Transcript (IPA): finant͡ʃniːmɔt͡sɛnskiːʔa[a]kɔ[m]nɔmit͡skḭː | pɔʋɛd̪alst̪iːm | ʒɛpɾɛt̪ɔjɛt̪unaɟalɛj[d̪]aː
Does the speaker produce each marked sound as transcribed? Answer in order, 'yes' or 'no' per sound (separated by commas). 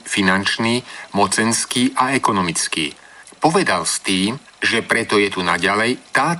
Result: no, no, no